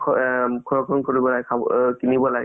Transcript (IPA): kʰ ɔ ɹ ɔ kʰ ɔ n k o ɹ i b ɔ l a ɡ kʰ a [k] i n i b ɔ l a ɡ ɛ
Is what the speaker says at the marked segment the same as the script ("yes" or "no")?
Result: yes